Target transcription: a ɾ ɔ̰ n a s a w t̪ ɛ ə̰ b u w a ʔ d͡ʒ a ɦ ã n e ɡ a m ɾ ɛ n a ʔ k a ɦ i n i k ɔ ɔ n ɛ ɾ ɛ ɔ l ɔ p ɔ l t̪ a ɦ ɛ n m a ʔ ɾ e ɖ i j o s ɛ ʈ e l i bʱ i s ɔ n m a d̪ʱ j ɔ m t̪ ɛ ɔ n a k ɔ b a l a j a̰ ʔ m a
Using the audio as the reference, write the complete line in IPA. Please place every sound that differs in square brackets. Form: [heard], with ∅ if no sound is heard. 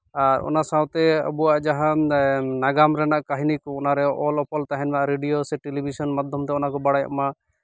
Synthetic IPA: a ɾ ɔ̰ n a s a w t̪ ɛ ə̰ b u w a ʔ d͡ʒ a ɦ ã n [a] ɡ a m ɾ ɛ n a ʔ k a ɦ i n i k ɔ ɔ n [a] ɾ ɛ ɔ l ɔ p ɔ l t̪ a ɦ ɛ n m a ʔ ɾ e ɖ i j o s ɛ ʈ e l i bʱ i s ɔ n m a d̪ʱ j ɔ m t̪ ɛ ɔ n a k ɔ b a [ɽ] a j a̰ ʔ m a

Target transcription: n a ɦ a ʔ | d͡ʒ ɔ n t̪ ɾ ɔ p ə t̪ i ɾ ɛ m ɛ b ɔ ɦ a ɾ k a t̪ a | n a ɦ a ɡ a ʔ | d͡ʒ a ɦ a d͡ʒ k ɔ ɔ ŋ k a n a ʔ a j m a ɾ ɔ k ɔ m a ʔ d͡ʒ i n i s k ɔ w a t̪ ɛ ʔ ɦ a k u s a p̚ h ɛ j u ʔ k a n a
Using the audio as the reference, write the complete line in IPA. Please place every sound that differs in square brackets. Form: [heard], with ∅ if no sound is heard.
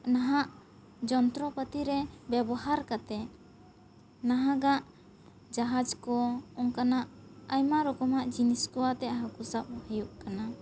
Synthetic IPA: n a ɦ a ʔ | d͡ʒ ɔ n t̪ ɾ ɔ p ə t̪ i ɾ ɛ [b] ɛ b ɔ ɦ a ɾ k a t̪ [ɛ] | n a ɦ a ɡ a ʔ | d͡ʒ a ɦ a d͡ʒ k ɔ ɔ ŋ k a n a ʔ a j m a ɾ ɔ k ɔ m a ʔ d͡ʒ i n i s k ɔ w a t̪ ɛ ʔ ɦ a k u s a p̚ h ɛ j u ʔ k a n a

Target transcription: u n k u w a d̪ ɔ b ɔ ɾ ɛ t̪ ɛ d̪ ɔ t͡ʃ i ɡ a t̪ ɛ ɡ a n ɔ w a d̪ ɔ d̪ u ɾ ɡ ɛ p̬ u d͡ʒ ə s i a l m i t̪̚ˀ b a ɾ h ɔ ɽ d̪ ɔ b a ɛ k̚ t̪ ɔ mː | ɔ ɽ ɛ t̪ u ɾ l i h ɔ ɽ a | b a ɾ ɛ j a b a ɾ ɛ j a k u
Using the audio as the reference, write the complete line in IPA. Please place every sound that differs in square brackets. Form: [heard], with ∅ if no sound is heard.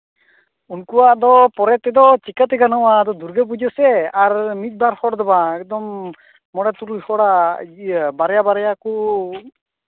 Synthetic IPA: u n k u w a d̪ ɔ [p] ɔ ɾ ɛ t̪ ɛ d̪ ɔ t͡ʃ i [k] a t̪ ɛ ɡ a n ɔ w a d̪ ɔ d̪ u ɾ ɡ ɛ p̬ u d͡ʒ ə s [ɛ] a [ɾ] m i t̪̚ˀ b a ɾ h ɔ ɽ d̪ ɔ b a ɛ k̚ [d̪] ɔ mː | ɔ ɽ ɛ t̪ u ɾ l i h ɔ ɽ a | b a ɾ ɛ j a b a ɾ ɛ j a k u

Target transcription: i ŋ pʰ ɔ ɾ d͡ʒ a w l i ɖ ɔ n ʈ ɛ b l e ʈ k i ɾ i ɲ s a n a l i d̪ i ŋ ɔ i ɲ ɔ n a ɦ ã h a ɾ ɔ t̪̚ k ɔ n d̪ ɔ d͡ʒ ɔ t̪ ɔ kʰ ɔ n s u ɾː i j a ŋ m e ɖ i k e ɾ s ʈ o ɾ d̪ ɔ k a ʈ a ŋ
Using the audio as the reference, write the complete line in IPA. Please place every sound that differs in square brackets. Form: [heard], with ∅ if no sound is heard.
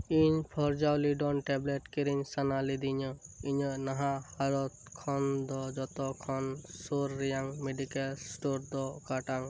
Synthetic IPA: i [ɲ] pʰ ɔ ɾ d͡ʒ a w l i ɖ ɔ n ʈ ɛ b l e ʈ k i ɾ i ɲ s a n a l i d̪ i [ɲ] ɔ i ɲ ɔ n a ɦ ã h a ɾ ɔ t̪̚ [kʰ] ɔ n d̪ ɔ d͡ʒ ɔ t̪ ɔ kʰ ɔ n s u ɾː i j a ŋ m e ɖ i k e [l] s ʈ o ɾ d̪ ɔ k a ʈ a ŋ

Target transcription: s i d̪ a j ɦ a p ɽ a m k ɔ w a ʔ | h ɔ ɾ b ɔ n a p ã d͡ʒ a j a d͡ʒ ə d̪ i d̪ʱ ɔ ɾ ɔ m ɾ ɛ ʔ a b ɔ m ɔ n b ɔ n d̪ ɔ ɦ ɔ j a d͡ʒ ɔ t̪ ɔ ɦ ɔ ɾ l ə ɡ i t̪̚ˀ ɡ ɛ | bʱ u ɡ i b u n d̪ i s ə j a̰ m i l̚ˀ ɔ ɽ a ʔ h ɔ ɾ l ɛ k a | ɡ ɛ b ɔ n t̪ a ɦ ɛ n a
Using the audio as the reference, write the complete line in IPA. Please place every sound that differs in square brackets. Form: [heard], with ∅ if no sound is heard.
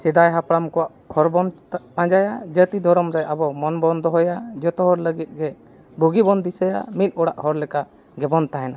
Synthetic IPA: s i d̪ a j ɦ a p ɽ a m k ɔ w a ʔ | h ɔ ɾ b ɔ n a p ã d͡ʒ a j a d͡ʒ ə [t̪] i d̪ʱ ɔ ɾ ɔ m ɾ ɛ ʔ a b ɔ m ɔ n b ɔ n d̪ ɔ ɦ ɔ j a d͡ʒ ɔ t̪ ɔ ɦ ɔ ɾ l ə ɡ i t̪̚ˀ ɡ ɛ | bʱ u ɡ i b [ɔ] n d̪ i s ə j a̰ m i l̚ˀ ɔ ɽ a ʔ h ɔ ɾ l ɛ k a | ɡ ɛ b ɔ n t̪ a ɦ ɛ n a

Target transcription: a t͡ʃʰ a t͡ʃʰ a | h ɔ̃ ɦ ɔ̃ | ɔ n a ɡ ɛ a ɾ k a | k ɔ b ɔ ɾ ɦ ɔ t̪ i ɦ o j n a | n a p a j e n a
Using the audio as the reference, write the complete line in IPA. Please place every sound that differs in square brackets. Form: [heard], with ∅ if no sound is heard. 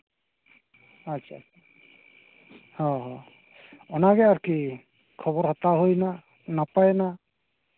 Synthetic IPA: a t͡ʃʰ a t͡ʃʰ a | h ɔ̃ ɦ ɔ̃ | ɔ n a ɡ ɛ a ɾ k [i] | [kʰ] ɔ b ɔ ɾ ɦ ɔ t̪ [a] ɦ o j n a | n a p a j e n a

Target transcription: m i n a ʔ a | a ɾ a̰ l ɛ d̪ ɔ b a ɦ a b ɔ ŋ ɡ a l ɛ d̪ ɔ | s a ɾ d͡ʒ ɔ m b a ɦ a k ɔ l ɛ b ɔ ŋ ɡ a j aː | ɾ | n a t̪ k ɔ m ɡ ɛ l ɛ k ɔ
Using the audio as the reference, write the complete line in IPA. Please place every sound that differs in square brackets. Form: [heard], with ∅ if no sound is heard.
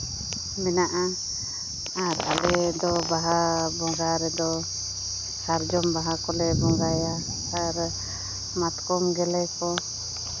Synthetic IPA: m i n a ʔ a | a ɾ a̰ l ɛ d̪ ɔ b a ɦ a b ɔ ŋ ɡ a [ɾ] ɛ d̪ ɔ | s a ɾ d͡ʒ ɔ m b a ɦ a k ɔ l ɛ b ɔ ŋ ɡ a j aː | ɾ | [m] a t̪ k ɔ m ɡ ɛ l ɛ k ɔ

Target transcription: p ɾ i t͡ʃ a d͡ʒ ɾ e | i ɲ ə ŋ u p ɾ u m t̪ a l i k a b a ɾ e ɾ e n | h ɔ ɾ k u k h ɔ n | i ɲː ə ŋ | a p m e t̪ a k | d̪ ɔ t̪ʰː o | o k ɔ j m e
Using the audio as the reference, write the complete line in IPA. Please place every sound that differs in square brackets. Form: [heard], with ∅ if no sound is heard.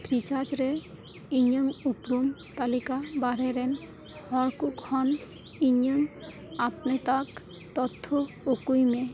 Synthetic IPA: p ɾ i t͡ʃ a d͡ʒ ɾ e | i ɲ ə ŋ u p ɾ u m t̪ a l i k a b a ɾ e ɾ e n | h ɔ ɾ k u k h ɔ n | i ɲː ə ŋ | a p [n] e t̪ a k | [t̪] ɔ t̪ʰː o | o k [u] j m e

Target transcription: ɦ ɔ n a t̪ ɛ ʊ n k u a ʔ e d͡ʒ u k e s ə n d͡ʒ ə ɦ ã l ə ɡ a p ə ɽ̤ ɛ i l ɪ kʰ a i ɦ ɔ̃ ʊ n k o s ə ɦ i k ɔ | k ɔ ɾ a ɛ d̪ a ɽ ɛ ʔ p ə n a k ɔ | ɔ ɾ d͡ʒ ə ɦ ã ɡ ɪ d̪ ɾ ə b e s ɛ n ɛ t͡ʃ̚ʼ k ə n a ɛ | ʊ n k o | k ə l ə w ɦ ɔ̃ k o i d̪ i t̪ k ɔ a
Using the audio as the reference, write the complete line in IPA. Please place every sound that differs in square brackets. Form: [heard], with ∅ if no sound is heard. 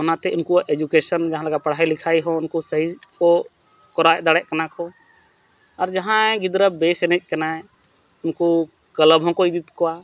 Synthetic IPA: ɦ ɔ n a t̪ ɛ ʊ n k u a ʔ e d͡ʒ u k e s ə n d͡ʒ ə ɦ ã l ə ɡ a p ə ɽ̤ [a] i l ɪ kʰ a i ɦ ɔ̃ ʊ n k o s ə ɦ i k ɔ | k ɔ ɾ a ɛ d̪ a ɽ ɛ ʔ [k] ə n a k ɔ | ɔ ɾ d͡ʒ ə ɦ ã ɡ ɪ d̪ ɾ ə b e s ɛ n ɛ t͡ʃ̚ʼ k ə n a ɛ | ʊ n k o | k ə l ə [b] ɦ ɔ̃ k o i d̪ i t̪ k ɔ a

